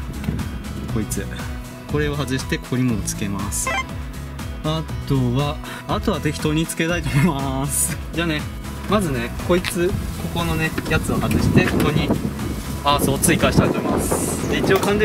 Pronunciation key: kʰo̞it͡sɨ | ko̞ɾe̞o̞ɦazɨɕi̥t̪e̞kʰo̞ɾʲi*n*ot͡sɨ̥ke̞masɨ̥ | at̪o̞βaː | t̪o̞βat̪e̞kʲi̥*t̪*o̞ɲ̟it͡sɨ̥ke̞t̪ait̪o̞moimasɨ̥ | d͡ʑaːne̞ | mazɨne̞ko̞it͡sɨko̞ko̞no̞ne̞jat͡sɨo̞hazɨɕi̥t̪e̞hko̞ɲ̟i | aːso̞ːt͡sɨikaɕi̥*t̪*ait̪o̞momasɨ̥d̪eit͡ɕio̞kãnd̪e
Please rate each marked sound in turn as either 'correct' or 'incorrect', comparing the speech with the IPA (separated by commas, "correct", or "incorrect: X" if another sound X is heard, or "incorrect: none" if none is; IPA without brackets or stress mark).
incorrect: m, correct, correct